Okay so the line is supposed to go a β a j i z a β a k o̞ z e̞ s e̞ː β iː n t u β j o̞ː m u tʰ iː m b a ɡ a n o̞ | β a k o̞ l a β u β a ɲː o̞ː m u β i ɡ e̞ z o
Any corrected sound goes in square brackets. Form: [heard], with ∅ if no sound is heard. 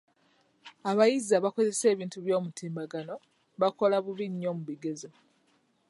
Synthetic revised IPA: a β a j i z a β a k o̞ z e̞ s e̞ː β iː n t u β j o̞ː m u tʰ iː m b a ɡ a n o̞ | β a k o̞ l a β u β [i] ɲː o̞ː m u β i ɡ e̞ z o